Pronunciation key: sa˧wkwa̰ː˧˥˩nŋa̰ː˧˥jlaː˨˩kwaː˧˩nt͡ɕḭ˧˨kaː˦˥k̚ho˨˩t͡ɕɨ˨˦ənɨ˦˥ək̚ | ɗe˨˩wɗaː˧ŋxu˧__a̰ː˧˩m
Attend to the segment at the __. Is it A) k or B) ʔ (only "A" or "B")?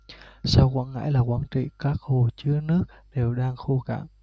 A